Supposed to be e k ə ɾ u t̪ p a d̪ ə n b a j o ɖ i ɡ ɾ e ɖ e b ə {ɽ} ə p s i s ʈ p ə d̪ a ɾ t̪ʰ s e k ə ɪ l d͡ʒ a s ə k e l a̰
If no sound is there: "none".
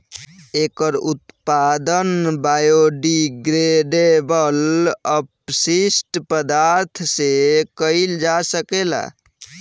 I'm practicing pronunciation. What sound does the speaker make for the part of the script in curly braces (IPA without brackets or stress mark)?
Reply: l